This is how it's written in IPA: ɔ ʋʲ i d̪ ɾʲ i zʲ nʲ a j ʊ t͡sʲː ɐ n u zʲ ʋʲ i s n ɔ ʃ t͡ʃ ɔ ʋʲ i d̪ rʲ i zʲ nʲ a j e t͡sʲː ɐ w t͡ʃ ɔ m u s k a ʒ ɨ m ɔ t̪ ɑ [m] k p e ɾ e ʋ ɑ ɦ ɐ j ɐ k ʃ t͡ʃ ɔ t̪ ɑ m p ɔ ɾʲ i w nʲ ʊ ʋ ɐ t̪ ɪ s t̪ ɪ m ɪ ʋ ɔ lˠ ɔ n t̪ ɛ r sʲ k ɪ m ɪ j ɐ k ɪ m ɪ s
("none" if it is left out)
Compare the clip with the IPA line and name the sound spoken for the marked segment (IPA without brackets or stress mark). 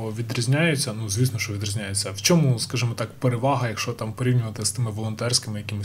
none